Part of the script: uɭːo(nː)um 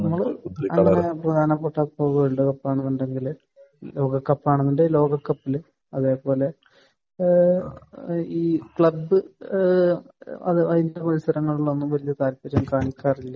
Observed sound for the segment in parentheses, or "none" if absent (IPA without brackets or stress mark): nː